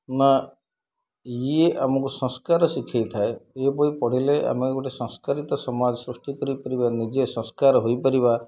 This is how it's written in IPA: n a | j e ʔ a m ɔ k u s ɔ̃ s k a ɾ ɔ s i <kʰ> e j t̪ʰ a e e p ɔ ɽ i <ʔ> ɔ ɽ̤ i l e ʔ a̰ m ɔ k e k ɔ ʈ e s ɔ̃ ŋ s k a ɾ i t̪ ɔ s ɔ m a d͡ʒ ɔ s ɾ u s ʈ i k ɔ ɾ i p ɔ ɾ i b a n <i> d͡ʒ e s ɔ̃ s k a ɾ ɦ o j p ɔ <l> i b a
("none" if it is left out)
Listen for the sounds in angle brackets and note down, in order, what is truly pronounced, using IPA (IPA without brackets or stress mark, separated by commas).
kʰ, p, i, ɾ